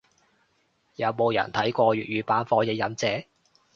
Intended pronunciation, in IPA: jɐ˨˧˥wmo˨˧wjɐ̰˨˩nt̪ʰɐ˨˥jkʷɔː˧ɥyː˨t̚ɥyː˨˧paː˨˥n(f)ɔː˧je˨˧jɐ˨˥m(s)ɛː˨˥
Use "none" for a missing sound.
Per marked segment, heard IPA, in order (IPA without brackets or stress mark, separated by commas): f, t͡s